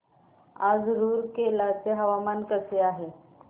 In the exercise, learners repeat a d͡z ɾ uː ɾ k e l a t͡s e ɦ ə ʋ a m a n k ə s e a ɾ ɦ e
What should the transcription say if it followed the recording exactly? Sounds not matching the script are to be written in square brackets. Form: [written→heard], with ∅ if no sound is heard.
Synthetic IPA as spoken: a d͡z ɾ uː ɾ k e l a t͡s e ɦ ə ʋ a m a n k ə s e a [ɾ→∅] ɦ e